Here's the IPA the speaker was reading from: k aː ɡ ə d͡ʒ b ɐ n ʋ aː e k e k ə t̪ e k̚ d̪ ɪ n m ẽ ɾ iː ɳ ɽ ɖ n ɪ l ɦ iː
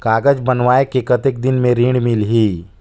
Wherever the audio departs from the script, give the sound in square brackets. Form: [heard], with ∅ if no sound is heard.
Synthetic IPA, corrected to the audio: k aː ɡ ə d͡ʒ b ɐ n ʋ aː e k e k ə t̪ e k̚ d̪ ɪ n m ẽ ɾ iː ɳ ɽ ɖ [m] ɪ l ɦ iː